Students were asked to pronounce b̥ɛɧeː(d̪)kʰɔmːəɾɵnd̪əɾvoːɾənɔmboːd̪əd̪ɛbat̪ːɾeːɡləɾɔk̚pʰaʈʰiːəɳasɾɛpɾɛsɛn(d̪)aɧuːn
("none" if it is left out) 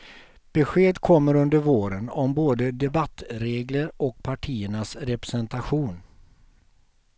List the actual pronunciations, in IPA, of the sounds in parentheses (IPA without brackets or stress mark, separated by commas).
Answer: d̪, t̪